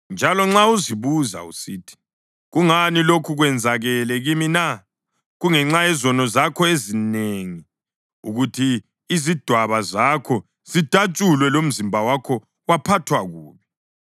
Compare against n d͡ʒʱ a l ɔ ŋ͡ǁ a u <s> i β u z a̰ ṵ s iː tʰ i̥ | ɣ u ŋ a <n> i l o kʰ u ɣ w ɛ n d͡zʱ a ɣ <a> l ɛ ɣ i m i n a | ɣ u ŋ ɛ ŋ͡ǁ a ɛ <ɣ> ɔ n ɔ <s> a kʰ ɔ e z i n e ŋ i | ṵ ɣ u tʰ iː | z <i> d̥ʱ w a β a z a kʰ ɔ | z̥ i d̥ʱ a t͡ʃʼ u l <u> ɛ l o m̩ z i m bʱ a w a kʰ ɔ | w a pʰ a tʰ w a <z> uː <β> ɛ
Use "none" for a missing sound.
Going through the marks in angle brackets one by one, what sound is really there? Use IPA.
z, n, ɛ, z, z, i, w, ɣ, β

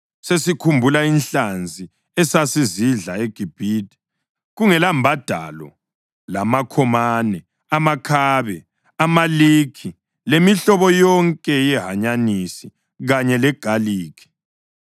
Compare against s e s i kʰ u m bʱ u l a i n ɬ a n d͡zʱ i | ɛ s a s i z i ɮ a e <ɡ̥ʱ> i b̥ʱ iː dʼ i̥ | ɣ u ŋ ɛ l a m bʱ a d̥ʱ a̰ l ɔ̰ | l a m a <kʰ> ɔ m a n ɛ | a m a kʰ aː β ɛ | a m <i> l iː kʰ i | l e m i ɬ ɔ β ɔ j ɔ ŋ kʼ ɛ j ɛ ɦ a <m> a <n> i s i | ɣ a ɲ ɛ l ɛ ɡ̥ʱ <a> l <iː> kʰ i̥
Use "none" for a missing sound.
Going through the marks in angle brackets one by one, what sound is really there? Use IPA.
ɡ̥ʱ, kʰ, a, ɲ, n, a, iː

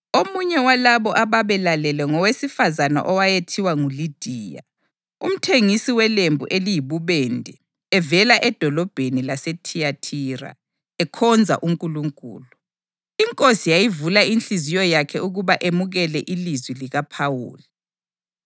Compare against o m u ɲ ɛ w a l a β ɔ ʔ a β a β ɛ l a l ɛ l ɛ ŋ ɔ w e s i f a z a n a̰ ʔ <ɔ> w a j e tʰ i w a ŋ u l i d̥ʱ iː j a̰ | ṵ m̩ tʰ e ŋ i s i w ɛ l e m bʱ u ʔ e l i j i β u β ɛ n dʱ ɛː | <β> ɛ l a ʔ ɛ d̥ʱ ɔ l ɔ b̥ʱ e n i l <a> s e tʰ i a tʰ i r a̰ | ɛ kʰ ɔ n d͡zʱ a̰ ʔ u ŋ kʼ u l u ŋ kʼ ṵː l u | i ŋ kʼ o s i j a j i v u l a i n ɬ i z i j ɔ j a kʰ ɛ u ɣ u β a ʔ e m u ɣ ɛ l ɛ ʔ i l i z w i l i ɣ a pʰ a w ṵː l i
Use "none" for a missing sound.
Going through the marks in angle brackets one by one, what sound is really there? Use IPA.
ɔ, v, a

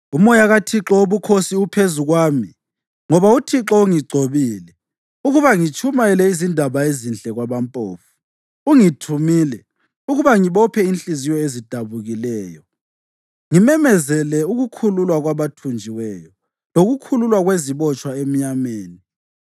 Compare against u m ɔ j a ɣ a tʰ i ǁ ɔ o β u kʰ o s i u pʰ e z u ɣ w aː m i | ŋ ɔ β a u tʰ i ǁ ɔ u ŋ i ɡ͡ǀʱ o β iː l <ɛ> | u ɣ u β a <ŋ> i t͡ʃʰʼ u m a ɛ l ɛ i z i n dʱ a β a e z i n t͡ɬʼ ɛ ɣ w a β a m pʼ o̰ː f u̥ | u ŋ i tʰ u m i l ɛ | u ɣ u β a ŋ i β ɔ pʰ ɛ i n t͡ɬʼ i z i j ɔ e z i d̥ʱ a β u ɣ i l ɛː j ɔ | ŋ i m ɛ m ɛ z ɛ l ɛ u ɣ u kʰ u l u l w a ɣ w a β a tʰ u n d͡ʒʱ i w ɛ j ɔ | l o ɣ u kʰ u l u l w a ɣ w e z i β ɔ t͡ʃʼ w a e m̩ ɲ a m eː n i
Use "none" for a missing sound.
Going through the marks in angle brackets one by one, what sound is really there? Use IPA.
ɛ, ŋ

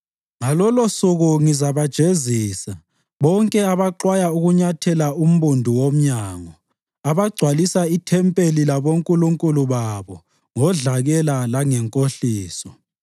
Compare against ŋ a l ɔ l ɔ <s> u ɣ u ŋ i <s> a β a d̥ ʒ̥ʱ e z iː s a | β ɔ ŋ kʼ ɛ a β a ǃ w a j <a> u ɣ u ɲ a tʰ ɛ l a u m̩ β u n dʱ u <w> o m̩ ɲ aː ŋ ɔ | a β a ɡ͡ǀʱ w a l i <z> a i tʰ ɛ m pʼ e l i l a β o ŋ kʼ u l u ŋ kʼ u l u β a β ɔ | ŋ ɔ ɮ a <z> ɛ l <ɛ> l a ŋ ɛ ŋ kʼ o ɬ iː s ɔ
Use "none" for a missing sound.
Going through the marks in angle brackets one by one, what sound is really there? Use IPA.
s, z, a, w, s, ɣ, a

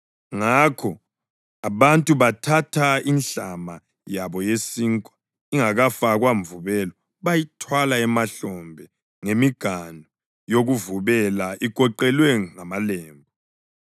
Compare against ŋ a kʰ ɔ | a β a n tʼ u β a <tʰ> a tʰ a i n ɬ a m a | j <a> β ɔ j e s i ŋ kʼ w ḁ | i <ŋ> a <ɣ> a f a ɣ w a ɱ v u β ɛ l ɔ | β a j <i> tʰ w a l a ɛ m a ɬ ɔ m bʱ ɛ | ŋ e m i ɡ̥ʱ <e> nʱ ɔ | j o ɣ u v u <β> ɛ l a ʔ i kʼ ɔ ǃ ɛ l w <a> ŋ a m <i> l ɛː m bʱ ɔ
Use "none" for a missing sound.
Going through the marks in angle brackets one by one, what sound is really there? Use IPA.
tʰ, a, ŋ, ɣ, i, a, β, ɛ, a

